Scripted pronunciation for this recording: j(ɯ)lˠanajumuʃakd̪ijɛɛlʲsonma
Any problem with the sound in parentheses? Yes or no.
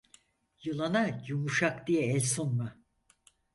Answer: no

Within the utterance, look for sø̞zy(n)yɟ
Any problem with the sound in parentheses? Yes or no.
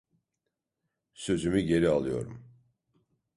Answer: yes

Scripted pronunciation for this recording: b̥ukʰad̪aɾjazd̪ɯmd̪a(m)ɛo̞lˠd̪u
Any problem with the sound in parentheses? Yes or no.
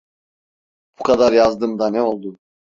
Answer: yes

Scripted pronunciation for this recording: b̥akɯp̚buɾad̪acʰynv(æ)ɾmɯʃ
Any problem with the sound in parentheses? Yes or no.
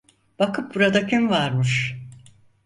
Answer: yes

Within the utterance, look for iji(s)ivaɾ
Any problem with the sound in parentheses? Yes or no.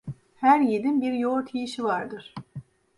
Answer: yes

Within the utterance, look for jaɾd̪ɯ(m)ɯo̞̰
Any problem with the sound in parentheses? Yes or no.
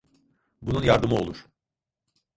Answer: no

